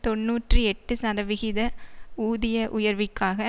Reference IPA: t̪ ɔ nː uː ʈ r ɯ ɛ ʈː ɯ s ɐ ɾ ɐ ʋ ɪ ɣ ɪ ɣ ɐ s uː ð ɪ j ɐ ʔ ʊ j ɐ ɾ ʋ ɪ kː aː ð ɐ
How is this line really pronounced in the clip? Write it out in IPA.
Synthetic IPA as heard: t̪ ɔ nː uː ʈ r ɯ ɛ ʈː ɯ s ɐ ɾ ɐ ʋ ɪ ɣ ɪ ð ɐ uː ð ɪ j ɐ ʔ ʊ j ɐ ɾ ʋ ɪ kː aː ɣ ɐ